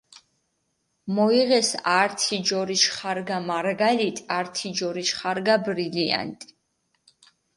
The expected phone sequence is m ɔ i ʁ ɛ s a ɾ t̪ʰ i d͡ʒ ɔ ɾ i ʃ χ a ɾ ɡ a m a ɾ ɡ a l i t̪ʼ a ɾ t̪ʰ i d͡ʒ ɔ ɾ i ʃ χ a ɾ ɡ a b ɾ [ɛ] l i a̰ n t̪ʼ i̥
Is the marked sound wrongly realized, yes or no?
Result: yes